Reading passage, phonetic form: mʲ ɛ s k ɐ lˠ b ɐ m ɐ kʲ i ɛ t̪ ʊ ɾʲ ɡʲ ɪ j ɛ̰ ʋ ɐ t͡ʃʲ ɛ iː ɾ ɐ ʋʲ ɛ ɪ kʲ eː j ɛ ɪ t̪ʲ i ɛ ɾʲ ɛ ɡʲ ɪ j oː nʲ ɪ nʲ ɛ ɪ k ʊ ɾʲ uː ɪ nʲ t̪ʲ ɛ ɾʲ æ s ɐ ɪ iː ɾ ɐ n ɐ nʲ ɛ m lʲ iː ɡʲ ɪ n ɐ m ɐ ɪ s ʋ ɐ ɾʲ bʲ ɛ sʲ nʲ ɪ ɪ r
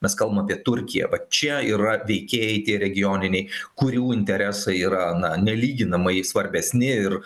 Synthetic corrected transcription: mʲ ɛ s k ɐ lˠ b ɐ m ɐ pʲ i ɛ t̪ ʊ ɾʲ kʲ ɪ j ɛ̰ ʋ ɐ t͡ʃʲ ɛ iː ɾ ɐ ʋʲ ɛ ɪ kʲ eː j ɛ ɪ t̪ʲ i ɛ ɾʲ ɛ ɡʲ ɪ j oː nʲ ɪ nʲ ɛ ɪ k ʊ ɾʲ uː ɪ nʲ t̪ʲ ɛ ɾʲ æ s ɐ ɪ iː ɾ ɐ n ɐ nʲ ɛ lʲ iː ɡʲ ɪ n ɐ m ɐ ɪ s ʋ ɐ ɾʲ bʲ ɛ sʲ nʲ ɪ ɪ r